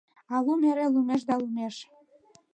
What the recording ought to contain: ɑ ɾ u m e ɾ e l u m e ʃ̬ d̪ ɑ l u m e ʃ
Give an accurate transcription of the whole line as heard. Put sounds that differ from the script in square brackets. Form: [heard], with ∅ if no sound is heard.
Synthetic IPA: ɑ [l] u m e ɾ e l u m e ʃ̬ d̪ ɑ l u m e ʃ